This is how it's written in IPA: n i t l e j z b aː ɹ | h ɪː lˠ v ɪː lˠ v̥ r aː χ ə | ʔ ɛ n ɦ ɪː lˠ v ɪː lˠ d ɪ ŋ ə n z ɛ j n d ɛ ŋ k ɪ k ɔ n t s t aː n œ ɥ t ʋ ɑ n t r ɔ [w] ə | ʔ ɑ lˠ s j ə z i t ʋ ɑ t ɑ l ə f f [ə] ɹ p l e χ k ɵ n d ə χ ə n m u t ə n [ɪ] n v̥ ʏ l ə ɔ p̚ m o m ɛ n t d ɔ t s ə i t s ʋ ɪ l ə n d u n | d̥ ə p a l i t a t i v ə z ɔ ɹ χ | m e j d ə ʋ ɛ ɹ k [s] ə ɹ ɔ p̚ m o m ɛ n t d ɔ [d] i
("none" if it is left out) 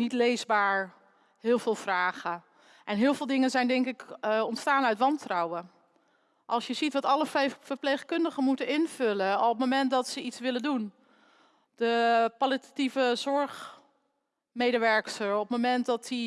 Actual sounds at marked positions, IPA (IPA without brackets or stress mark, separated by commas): w, ə, ɪ, s, t